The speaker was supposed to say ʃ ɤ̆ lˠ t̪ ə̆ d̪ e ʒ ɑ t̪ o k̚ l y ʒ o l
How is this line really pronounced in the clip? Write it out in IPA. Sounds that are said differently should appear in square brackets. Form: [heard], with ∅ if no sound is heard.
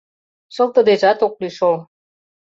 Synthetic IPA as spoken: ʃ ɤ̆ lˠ t̪ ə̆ d̪ e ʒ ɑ t̪ o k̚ l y [ʃ] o l